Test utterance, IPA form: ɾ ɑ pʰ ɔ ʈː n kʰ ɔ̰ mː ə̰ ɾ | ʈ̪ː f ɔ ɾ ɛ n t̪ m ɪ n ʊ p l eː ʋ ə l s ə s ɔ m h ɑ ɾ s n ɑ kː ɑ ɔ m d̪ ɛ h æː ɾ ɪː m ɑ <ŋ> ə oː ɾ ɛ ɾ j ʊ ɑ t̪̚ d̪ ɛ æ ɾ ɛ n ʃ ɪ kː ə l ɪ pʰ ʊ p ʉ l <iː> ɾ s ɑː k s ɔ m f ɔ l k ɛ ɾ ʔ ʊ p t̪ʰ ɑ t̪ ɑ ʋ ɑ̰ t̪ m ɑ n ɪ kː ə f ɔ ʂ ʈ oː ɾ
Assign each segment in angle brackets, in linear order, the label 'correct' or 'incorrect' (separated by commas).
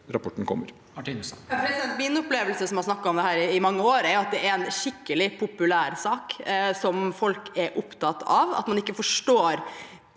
incorrect, incorrect